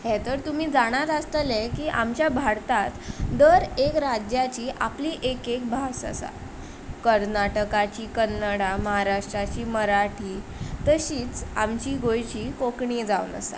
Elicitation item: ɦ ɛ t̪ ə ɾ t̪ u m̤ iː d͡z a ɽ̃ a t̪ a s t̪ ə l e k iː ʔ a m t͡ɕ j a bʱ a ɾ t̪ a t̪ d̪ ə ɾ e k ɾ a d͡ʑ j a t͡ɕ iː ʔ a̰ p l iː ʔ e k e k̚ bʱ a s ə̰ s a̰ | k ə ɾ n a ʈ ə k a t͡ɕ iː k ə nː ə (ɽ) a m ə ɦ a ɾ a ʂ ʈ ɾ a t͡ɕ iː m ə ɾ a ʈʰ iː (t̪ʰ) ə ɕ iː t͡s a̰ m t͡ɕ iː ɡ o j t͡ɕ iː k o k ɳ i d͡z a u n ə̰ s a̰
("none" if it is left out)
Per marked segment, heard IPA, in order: ɽ, t̪

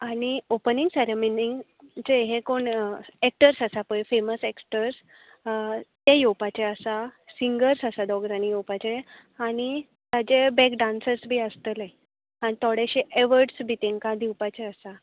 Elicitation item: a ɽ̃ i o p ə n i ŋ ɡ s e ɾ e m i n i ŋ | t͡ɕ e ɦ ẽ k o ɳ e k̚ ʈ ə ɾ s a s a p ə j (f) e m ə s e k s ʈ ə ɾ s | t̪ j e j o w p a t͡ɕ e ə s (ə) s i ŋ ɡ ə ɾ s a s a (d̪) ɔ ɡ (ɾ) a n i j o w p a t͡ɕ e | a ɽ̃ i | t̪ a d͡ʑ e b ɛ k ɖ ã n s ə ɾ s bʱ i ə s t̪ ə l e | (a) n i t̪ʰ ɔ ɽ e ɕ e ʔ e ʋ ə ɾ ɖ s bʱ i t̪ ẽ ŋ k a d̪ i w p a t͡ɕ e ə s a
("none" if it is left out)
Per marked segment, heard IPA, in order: f, a, d̪, ɾ, a

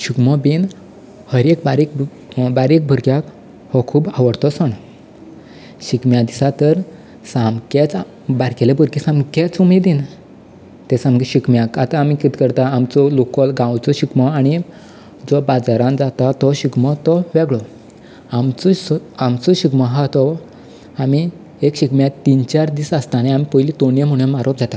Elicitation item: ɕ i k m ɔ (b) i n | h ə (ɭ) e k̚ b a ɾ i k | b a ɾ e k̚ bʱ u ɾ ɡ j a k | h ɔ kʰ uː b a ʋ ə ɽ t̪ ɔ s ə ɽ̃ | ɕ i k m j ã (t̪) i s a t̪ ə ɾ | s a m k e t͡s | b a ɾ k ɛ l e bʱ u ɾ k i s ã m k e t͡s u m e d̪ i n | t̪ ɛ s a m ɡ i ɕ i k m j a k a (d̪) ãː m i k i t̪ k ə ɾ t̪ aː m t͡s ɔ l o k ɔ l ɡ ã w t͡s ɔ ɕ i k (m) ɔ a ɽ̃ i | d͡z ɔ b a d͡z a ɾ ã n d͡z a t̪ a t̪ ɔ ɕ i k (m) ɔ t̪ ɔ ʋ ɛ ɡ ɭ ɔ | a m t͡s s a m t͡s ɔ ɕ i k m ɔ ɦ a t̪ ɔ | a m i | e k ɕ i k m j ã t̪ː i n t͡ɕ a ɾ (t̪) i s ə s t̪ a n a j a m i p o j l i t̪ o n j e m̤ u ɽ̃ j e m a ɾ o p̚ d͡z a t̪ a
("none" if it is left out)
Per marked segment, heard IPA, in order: b, ɾ, d̪, t̪, m, m, d̪

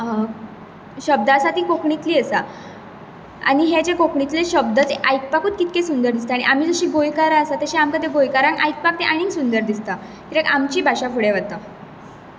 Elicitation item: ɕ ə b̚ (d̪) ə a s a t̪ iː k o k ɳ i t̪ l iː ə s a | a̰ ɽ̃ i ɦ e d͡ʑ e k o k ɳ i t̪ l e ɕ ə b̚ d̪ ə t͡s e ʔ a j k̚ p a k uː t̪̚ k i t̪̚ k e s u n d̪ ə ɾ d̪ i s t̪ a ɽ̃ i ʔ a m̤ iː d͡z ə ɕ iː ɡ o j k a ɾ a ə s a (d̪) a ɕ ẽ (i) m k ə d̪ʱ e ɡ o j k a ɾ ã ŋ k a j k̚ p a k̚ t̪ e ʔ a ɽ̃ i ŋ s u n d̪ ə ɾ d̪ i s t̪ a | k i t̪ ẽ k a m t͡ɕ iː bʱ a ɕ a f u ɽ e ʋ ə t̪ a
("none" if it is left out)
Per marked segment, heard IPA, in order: d̪, t̪, a

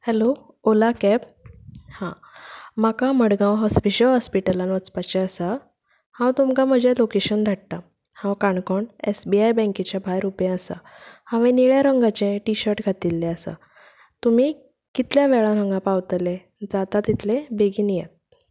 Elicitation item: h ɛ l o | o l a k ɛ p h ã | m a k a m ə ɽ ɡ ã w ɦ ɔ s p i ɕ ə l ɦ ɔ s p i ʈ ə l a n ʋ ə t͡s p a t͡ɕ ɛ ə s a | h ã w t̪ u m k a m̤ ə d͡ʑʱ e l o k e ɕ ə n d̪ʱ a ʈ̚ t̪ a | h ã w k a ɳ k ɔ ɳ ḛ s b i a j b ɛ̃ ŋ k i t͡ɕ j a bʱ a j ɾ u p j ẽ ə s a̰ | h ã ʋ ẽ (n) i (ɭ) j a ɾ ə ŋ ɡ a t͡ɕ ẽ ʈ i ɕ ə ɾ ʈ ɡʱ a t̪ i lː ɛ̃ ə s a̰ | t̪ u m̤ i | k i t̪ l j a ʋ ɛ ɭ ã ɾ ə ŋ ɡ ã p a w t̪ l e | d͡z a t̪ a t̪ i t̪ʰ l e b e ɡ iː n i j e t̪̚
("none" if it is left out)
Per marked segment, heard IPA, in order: n, ɭ

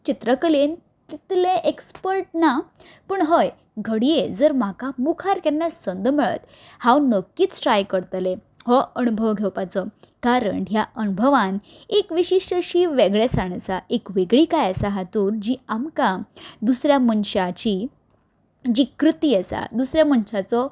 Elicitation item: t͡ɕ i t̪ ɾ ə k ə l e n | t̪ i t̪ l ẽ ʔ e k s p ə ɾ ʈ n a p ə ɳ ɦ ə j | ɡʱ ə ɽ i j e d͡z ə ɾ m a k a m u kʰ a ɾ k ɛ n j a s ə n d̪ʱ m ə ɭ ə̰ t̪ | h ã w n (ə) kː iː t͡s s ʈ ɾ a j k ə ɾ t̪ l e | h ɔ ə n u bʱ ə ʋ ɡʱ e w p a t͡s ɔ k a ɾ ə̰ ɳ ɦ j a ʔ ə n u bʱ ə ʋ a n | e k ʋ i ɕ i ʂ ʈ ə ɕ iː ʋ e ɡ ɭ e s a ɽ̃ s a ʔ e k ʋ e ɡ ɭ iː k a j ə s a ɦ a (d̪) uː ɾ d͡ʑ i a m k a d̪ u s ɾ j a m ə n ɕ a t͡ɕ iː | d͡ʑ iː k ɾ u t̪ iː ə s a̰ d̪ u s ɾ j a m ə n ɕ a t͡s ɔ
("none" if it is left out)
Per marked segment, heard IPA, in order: ə, t̪

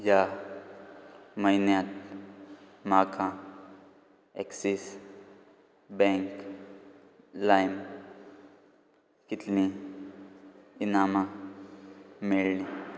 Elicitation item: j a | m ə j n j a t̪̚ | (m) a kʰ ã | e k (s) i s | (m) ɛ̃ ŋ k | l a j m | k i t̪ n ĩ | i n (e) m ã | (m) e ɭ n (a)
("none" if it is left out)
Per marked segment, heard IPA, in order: m, s, b, a, m, i

